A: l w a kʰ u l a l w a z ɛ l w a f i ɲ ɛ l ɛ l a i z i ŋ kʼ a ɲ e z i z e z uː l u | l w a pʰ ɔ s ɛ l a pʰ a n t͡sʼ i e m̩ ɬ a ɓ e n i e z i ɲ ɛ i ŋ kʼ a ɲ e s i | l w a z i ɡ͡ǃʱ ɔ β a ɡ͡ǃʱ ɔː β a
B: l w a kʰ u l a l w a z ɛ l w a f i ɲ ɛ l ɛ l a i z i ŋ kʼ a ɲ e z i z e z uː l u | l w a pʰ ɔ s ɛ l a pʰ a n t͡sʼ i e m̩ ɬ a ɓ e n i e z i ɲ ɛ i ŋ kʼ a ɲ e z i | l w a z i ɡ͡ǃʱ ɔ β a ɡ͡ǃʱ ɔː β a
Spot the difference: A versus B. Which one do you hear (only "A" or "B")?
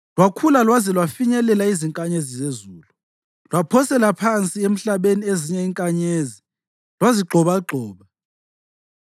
B